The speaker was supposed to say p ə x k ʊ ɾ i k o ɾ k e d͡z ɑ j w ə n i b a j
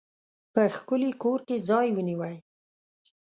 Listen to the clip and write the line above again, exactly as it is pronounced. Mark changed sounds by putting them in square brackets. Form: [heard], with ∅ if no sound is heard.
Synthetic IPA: p ə x k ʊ [l] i k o ɾ k e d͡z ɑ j w ə n i [w] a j